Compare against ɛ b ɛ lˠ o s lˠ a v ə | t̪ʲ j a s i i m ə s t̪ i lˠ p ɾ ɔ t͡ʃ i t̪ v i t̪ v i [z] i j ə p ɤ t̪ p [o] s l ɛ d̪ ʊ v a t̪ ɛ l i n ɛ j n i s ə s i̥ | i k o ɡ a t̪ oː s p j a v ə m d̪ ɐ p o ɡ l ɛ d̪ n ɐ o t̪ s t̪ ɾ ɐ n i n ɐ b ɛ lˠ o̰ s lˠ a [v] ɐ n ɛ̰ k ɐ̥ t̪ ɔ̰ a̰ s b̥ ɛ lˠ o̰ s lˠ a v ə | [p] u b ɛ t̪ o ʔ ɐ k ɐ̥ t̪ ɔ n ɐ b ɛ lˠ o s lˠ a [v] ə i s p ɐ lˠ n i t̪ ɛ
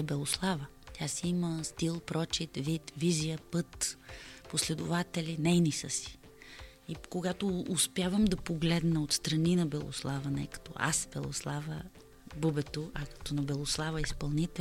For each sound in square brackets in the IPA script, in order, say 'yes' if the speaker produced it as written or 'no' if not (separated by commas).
yes, yes, yes, no, yes